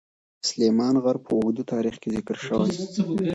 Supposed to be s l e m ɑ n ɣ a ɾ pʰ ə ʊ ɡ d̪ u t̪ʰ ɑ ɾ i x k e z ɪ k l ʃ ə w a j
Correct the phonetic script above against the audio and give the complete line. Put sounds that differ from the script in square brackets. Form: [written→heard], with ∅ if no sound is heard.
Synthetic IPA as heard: s l e m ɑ n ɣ a ɾ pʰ ə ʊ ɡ d̪ u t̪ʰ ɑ ɾ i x k e z ɪ k [l→ɾ] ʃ ə w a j